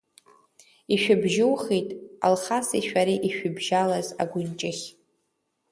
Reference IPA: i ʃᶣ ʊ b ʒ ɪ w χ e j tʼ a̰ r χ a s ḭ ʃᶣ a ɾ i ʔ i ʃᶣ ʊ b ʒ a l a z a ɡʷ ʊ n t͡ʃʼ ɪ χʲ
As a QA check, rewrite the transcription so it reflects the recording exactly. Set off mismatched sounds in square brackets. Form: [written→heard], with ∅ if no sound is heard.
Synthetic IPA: i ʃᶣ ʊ b ʒ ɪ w χ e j tʼ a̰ [r→l] χ a s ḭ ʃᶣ a ɾ i ʔ i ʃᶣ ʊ b ʒ a l a z a ɡʷ ʊ n t͡ʃʼ ɪ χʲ